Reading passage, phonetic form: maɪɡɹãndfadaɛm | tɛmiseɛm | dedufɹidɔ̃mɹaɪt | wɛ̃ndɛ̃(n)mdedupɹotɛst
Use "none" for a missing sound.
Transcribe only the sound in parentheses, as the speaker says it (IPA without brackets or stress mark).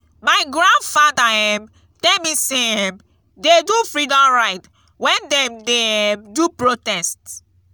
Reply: none